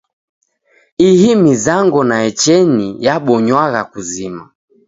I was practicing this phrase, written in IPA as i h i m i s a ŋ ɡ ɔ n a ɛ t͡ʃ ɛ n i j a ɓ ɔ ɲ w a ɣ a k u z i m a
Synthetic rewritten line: i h i m i z a ŋ ɡ ɔ n a ɛ t͡ʃ ɛ n i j a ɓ ɔ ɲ w a ɣ a k u z i m a